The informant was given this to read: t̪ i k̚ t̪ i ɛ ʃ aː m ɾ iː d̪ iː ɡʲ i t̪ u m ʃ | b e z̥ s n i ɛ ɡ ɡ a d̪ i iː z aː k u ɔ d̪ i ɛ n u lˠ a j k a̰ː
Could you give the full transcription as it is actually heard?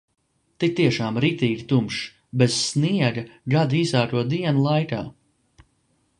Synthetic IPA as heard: t̪ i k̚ t̪ i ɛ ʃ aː m ɾ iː t̪ iː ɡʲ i t̪ u m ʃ | b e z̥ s n i ɛ ɡ ɡ a d̪ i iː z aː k u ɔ d̪ i ɛ n u lˠ a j k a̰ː